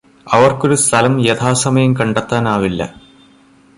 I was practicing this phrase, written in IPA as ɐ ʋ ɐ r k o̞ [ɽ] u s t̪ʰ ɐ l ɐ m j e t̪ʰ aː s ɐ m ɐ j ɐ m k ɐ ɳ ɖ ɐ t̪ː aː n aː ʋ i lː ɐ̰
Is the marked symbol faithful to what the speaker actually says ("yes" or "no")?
no